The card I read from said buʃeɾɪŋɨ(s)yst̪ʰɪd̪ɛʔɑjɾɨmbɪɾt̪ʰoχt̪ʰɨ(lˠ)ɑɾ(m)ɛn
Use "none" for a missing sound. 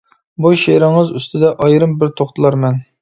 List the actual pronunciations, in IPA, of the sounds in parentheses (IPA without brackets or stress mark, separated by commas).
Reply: z, lˠ, m